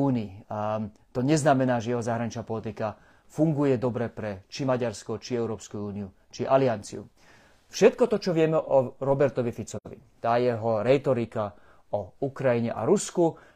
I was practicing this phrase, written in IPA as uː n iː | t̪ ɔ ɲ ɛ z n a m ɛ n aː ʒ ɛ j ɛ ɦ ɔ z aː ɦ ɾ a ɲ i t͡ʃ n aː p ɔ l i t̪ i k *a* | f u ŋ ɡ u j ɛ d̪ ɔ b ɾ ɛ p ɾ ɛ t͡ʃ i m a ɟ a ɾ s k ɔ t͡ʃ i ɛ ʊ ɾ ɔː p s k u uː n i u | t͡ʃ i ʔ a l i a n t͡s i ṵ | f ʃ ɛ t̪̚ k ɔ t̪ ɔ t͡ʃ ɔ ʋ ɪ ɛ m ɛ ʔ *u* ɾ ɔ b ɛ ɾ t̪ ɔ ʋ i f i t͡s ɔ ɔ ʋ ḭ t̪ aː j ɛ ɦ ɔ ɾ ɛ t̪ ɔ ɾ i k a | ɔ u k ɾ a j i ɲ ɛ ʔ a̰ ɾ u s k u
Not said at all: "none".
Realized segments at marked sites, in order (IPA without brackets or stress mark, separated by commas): a, ɔ